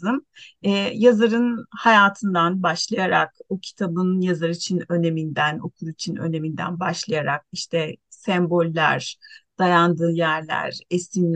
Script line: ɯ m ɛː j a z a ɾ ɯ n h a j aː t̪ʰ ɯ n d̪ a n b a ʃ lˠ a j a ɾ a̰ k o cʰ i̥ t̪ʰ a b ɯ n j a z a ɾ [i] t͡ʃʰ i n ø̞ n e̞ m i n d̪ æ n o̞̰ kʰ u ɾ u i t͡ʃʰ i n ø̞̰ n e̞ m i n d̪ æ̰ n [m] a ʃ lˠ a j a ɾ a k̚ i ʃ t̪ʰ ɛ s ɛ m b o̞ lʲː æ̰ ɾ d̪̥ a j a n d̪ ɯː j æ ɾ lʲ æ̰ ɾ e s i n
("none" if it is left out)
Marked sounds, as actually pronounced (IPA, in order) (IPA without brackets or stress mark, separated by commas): i, b